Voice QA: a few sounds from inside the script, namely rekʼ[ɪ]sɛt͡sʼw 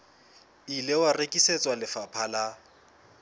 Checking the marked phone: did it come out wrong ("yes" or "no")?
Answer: yes